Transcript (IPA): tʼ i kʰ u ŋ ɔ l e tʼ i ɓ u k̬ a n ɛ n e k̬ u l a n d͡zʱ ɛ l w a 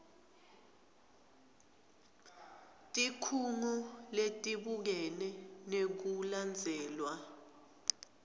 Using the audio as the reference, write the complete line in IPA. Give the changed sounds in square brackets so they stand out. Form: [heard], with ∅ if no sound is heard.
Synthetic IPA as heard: tʼ i kʰ u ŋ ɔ l e tʼ i ɓ u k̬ [ɛ] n ɛ n e k̬ u l a n d͡zʱ [ɛː] l w a